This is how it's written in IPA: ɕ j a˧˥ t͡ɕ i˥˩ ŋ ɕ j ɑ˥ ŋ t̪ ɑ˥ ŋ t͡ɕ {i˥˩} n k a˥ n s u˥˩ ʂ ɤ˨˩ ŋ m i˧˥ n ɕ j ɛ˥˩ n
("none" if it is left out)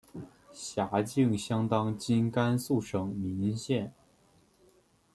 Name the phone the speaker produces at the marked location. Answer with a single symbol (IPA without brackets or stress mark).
i˥